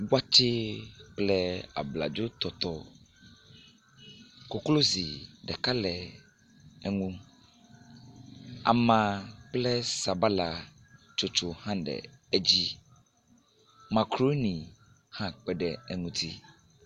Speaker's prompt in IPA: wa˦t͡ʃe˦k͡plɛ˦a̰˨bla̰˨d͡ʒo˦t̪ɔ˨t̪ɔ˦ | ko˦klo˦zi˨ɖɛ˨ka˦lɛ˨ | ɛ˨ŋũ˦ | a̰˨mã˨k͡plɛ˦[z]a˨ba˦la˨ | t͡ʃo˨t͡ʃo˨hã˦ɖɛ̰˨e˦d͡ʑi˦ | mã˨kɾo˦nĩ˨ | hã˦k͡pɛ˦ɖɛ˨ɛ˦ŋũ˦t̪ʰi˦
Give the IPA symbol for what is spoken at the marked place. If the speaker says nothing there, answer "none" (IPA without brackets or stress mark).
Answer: s